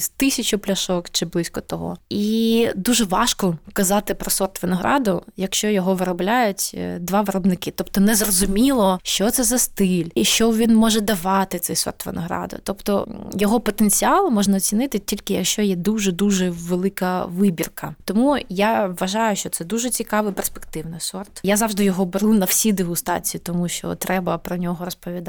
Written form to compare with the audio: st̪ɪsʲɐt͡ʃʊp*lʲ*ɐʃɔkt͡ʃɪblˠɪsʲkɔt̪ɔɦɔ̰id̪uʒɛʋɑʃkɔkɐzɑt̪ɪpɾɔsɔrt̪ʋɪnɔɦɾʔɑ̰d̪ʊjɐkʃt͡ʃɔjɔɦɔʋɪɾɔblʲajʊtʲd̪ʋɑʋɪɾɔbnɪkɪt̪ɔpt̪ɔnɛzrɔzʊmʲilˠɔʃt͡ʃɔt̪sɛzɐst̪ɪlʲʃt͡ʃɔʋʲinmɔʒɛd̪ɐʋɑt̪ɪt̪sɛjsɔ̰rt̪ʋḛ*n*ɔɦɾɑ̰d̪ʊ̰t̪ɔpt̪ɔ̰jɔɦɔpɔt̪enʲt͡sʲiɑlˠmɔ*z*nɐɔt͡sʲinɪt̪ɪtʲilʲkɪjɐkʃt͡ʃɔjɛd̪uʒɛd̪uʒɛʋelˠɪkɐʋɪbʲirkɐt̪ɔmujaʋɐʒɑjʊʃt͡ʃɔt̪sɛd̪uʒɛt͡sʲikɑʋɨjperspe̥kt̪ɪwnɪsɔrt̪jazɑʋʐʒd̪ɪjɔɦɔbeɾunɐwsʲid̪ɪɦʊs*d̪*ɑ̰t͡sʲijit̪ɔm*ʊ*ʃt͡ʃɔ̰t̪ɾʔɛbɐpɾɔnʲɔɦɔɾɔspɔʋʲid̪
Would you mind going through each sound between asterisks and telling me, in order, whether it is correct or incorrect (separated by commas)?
correct, correct, incorrect, incorrect, incorrect